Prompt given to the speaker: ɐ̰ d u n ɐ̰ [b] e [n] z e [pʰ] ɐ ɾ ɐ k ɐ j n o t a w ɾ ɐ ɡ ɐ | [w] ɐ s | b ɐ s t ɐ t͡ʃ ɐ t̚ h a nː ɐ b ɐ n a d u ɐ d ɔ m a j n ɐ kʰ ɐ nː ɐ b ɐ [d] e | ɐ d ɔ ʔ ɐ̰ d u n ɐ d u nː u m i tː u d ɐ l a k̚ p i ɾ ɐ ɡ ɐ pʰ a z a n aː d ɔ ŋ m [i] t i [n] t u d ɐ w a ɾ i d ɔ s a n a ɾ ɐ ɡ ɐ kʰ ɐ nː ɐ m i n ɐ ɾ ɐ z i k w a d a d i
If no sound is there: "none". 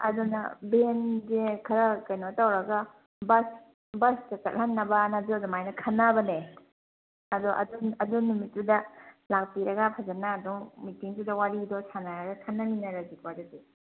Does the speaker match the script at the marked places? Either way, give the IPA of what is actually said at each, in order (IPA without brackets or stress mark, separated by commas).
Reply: b, n, kʰ, b, n, i, ŋ